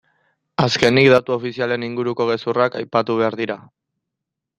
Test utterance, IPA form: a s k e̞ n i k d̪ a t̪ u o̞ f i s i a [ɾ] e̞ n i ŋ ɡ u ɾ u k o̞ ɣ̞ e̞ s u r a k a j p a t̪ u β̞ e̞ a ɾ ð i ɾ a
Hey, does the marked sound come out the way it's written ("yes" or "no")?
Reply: no